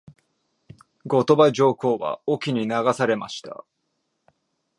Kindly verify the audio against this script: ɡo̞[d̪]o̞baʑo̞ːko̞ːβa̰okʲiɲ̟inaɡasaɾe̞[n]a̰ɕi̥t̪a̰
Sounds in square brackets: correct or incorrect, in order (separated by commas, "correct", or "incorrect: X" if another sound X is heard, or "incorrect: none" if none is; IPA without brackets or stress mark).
incorrect: t̪, incorrect: m